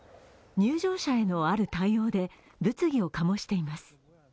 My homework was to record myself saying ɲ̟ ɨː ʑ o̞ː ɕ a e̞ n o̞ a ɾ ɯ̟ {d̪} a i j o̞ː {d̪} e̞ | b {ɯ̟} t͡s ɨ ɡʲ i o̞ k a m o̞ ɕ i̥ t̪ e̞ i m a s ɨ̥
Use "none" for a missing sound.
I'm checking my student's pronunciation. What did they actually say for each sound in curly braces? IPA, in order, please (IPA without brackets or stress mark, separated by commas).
t̪, d̪, ɯ̟